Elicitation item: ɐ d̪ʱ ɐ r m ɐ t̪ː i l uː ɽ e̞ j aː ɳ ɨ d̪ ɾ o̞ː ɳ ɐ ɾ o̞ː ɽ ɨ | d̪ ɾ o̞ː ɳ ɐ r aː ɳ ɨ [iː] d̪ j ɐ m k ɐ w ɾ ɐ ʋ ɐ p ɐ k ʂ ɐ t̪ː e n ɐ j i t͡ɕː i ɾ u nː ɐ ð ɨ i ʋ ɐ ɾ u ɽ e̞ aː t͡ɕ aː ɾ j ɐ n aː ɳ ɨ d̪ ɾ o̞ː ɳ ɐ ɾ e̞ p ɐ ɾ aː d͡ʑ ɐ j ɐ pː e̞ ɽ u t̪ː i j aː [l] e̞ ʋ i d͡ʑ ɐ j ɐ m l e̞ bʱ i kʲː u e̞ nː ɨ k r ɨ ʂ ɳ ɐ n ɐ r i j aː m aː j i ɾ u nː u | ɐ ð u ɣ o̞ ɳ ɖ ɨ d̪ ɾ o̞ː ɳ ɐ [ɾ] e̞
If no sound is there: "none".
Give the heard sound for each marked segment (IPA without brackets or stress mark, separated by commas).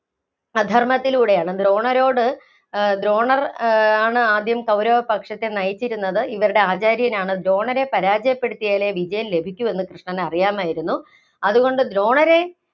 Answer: aː, l, ɾ